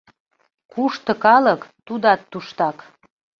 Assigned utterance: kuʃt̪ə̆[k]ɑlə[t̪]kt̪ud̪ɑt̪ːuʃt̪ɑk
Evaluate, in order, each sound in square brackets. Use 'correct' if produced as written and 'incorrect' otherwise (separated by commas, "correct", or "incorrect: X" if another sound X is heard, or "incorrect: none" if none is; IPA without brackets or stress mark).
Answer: correct, incorrect: none